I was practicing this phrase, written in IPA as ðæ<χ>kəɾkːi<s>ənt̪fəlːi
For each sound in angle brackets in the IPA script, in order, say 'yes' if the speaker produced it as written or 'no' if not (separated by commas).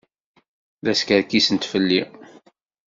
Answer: no, yes